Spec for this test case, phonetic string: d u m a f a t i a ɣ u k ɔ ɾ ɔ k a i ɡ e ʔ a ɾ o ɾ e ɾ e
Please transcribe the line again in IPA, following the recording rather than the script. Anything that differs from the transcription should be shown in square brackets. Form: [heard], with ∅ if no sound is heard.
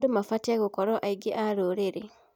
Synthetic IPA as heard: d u m a f a t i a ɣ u k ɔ ɾ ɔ [ʔ] a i ɡ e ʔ a ɾ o ɾ e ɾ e